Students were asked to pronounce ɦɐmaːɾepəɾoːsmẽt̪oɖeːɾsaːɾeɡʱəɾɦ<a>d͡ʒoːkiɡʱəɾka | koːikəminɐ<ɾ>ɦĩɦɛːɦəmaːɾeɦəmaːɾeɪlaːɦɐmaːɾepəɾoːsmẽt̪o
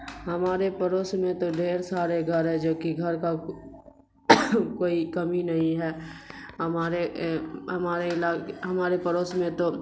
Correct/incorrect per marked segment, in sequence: incorrect, incorrect

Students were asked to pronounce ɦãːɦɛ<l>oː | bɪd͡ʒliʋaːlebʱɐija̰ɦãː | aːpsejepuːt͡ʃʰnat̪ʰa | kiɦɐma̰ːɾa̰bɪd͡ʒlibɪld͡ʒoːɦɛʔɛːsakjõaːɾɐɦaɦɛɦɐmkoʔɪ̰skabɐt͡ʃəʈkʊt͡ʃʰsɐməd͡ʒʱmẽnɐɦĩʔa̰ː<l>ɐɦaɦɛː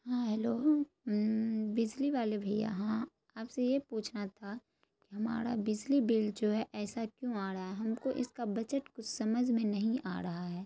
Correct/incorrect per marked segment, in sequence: correct, incorrect

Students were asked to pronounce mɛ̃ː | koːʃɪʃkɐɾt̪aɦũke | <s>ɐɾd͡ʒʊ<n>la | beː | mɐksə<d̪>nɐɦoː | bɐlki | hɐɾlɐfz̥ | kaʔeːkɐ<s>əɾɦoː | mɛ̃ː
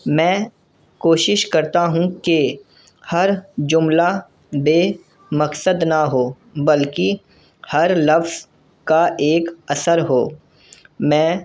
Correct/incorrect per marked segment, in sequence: incorrect, incorrect, correct, correct

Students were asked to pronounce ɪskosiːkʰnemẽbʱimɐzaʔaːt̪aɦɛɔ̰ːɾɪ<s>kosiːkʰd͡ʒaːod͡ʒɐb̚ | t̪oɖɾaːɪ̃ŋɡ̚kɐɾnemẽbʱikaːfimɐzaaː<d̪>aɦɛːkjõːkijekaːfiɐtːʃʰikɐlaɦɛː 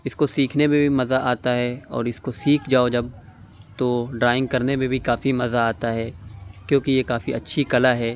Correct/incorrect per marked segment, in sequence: correct, incorrect

